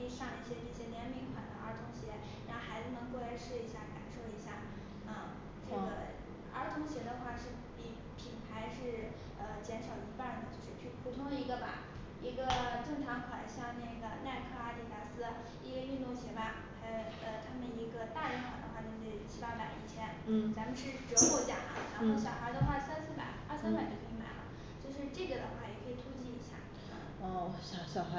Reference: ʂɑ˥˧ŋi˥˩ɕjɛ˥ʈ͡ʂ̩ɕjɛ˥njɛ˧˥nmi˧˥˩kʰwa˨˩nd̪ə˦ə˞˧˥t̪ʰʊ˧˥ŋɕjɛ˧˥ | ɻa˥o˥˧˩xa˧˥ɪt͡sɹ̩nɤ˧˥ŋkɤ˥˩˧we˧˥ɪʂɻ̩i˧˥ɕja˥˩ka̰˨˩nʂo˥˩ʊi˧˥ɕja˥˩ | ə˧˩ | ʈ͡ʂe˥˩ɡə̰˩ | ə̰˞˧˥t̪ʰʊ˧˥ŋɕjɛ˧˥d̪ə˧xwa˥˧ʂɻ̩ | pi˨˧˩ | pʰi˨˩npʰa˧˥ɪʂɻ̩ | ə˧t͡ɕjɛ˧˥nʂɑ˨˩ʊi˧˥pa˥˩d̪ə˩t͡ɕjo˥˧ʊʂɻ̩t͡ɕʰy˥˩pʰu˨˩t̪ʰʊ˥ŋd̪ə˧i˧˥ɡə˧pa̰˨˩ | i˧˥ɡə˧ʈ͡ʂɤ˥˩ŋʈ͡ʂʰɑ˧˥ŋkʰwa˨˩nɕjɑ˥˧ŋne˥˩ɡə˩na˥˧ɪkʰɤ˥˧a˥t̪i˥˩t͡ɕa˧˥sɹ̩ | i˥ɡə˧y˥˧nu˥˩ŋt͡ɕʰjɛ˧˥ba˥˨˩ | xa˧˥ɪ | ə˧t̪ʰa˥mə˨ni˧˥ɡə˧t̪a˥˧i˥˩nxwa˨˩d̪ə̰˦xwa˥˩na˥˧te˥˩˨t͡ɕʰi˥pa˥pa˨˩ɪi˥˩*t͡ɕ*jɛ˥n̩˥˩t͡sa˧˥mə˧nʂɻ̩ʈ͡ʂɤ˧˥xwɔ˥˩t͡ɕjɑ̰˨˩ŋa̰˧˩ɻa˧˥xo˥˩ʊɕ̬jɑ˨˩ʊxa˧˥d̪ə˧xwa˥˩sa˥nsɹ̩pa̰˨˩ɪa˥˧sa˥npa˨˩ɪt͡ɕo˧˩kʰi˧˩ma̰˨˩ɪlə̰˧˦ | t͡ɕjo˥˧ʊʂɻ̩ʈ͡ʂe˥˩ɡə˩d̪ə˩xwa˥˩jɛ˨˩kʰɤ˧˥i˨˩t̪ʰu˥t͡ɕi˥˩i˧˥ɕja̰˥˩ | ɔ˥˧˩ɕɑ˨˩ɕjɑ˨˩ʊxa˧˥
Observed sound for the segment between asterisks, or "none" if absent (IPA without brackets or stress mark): t͡ɕʰ